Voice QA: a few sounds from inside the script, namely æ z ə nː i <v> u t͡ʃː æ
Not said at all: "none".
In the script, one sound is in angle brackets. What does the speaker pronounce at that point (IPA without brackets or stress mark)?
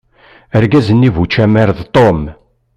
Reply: v